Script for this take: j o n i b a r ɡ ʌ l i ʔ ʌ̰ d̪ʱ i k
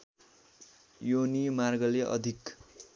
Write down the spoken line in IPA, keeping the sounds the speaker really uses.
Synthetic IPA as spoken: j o n i m a r ɡ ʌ l e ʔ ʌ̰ d̪ʱ i k